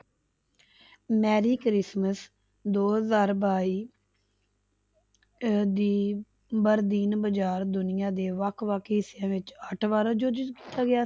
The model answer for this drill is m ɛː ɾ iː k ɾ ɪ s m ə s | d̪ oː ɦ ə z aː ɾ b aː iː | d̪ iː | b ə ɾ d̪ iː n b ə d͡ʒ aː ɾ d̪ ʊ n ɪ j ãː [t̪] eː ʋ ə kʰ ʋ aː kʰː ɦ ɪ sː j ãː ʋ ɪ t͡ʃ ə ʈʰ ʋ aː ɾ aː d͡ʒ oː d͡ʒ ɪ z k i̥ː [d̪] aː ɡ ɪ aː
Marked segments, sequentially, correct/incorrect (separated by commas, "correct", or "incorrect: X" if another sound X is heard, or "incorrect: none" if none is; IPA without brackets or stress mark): incorrect: d̪, incorrect: t̪